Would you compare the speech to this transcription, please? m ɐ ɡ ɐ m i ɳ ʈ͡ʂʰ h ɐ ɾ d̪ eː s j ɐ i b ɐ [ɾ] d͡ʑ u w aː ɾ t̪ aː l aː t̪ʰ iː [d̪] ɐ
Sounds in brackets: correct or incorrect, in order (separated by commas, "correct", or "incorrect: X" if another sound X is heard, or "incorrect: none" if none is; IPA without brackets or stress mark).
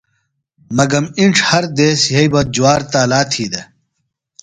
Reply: incorrect: none, correct